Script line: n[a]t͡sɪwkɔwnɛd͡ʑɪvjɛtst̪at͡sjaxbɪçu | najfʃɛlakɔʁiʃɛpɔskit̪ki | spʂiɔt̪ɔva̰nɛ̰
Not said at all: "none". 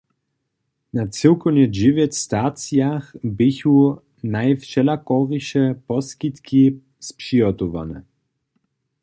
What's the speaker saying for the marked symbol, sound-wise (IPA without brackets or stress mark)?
a